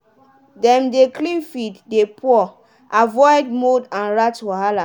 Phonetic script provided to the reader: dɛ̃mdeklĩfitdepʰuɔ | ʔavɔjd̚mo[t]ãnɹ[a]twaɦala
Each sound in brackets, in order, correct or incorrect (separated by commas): incorrect, correct